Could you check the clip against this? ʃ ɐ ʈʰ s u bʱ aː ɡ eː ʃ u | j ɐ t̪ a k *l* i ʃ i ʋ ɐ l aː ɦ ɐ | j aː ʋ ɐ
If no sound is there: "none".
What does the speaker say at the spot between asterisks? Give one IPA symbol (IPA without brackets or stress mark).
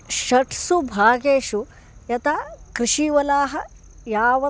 ɾ